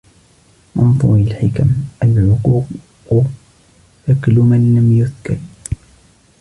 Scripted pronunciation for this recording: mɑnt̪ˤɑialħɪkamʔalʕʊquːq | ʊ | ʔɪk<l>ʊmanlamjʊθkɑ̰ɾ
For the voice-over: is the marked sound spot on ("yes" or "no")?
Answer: yes